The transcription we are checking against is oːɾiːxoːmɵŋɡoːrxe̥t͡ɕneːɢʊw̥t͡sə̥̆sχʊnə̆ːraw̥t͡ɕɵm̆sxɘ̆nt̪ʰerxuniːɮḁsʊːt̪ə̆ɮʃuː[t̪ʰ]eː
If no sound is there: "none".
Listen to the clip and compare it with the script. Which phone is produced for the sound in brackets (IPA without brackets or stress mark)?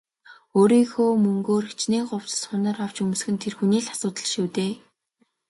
t̪